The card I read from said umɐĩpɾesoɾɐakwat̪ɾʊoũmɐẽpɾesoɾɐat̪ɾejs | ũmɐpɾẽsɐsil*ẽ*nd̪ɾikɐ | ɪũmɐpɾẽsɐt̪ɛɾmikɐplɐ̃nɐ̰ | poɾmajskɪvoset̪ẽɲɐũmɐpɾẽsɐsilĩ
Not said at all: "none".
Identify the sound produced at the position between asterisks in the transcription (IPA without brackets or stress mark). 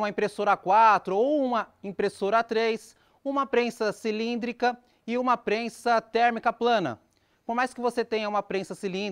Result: ĩ